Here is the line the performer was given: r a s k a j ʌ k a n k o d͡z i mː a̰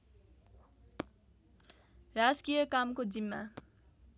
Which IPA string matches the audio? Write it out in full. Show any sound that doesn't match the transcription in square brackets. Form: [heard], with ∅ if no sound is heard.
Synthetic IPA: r a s k [i] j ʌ k a [m] k o d͡z i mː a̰